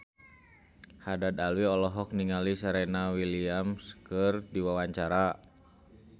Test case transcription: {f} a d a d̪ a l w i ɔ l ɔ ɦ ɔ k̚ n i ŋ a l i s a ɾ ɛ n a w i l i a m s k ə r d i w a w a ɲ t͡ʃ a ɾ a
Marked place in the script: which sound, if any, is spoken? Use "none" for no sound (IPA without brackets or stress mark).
h